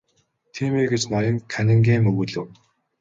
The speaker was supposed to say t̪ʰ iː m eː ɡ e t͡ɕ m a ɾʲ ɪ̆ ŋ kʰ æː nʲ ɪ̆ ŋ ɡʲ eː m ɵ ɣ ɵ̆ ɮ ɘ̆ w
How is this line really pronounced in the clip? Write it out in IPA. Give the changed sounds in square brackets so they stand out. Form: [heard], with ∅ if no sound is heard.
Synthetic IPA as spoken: t̪ʰ iː m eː ɡ e t͡ɕ [n] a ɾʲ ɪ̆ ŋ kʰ [æ] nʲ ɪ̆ ŋ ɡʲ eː m ɵ ɣ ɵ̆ ɮ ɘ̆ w